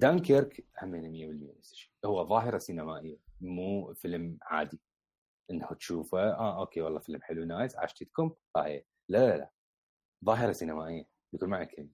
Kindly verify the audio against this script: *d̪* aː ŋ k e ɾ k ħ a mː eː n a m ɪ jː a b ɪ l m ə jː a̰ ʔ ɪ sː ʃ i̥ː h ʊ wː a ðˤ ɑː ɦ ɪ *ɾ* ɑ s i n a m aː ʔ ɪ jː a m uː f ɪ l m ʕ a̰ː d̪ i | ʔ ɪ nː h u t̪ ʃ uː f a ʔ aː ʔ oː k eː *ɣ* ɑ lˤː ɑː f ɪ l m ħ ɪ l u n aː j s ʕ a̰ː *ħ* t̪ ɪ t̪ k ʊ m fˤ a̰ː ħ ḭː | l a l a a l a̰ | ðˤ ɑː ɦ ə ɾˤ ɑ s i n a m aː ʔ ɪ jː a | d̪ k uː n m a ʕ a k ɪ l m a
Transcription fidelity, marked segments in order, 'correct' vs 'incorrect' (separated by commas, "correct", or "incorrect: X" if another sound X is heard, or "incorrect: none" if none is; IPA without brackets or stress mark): correct, correct, incorrect: w, incorrect: ʃ